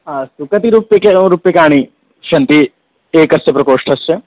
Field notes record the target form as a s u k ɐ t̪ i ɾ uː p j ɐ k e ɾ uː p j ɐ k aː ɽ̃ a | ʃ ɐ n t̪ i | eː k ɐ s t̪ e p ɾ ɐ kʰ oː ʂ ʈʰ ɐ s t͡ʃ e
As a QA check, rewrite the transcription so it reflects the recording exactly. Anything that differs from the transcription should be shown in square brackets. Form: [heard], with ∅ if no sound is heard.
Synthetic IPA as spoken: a s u k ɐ t̪ i ɾ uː p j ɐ k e ɾ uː p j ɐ k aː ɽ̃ [i] | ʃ ɐ n t̪ i | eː k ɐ s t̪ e p ɾ ɐ [k] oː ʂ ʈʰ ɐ s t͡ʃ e

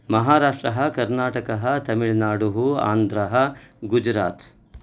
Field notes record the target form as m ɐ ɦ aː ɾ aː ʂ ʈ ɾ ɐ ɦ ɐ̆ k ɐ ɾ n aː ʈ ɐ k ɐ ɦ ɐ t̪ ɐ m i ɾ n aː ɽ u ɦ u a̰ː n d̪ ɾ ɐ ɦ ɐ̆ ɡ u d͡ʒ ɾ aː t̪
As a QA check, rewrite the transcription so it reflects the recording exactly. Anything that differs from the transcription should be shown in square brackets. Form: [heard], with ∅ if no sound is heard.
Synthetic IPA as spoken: m ɐ ɦ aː ɾ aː ʂ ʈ ɾ ɐ ɦ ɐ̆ k ɐ ɾ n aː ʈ ɐ k ɐ ɦ ɐ t̪ ɐ m i [ɭ] n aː ɽ u ɦ u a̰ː n d̪ ɾ ɐ ɦ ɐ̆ ɡ u d͡ʒ ɾ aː t̪

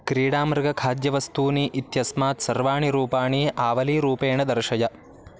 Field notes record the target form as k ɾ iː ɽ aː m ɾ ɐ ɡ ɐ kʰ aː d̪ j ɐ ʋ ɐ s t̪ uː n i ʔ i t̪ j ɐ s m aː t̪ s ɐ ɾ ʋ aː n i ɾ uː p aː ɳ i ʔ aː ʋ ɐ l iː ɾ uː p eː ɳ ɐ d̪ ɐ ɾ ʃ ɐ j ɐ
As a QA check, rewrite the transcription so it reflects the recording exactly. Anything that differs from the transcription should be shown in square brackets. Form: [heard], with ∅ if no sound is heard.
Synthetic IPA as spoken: k ɾ iː ɽ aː m ɾ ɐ ɡ ɐ kʰ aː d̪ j ɐ ʋ ɐ s t̪ uː n i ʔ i t̪ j ɐ s m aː t̪ s ɐ ɾ ʋ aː [ɳ] i ɾ uː p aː ɳ i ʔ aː ʋ ɐ l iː ɾ uː p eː ɳ ɐ d̪ ɐ ɾ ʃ ɐ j ɐ

